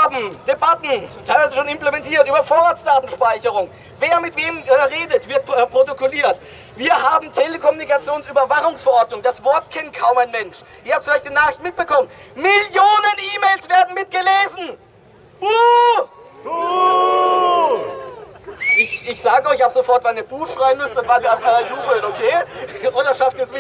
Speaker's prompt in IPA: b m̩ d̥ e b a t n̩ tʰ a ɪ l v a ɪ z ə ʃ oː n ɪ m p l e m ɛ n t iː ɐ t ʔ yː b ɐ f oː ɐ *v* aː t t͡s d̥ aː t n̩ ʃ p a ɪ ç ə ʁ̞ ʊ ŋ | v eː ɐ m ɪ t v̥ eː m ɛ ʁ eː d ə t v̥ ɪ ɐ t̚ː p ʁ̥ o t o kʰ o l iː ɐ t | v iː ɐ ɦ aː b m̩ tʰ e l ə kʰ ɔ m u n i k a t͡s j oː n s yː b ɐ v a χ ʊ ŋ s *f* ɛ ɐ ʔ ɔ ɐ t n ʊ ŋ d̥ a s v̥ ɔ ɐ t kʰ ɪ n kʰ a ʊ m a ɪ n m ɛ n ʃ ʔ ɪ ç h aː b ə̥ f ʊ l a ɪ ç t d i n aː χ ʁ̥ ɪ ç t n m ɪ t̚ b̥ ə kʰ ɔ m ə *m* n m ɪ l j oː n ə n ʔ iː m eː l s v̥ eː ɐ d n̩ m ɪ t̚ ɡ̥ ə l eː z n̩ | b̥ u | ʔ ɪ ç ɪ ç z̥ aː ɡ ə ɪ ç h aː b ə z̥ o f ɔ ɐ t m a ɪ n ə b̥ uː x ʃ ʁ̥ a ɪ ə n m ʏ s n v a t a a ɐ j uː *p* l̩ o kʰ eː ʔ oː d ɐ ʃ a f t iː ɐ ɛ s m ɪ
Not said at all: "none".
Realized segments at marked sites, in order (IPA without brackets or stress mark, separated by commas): ʁ, f, n, b